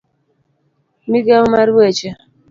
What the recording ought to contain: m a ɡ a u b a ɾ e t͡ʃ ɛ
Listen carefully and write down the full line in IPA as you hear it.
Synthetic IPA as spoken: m i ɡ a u m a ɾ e t͡ʃ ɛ